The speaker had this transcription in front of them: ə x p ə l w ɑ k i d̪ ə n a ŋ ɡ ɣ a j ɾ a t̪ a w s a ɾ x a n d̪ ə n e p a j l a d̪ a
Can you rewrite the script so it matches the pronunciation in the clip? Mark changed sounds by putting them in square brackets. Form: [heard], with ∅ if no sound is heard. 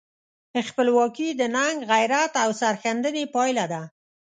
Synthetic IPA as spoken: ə x p ə l w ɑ k i d̪ ə n a ŋ ɡ ɣ a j ɾ a t̪ a w s a ɾ x a n d̪ ə n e p [ɑ] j l a d̪ a